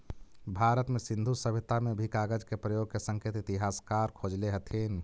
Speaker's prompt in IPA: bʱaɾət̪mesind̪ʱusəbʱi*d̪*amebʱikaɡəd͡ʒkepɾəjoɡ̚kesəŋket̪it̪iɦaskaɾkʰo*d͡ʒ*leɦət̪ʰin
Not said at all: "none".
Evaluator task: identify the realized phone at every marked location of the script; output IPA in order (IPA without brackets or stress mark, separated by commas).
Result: t̪, d͡ʒ